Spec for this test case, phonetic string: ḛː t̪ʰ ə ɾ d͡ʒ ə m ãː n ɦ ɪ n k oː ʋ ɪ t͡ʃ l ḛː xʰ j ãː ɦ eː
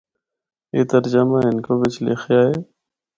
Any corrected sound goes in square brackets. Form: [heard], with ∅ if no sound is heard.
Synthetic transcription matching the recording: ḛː [t̪] ə ɾ d͡ʒ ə m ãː [∅] ɦ ɪ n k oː ʋ ɪ t͡ʃ l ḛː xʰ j [aː] ɦ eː